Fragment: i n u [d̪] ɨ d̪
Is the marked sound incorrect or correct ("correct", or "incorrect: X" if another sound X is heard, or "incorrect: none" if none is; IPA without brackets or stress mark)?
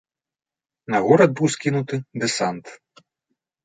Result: incorrect: t̪